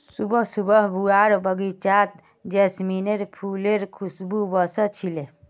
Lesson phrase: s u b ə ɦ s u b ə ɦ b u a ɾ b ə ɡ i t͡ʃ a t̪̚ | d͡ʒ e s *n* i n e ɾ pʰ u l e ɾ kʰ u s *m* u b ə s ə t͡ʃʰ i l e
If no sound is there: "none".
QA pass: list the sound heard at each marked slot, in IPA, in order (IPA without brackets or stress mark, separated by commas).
m, b